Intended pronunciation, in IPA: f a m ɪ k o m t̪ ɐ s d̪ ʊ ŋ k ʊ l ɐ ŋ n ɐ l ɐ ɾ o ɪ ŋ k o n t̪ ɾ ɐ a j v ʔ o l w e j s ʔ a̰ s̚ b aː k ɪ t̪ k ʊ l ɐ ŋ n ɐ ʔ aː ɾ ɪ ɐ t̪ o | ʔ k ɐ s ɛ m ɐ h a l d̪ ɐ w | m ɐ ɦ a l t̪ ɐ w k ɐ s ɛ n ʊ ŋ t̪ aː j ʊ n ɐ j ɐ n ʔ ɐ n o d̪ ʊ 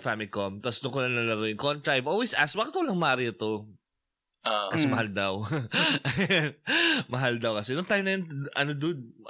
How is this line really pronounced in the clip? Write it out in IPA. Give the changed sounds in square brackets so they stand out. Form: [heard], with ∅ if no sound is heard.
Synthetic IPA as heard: f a m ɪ k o m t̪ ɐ s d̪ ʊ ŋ k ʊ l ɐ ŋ n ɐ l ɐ ɾ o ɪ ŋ k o n t̪ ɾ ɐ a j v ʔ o l w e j s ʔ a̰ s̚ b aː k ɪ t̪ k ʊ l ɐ ŋ [m] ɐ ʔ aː ɾ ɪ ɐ t̪ o | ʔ k ɐ s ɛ m ɐ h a l d̪ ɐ w | m ɐ ɦ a l [d̪] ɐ w k ɐ s ɛ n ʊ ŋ t̪ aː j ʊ n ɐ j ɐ n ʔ ɐ n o d̪ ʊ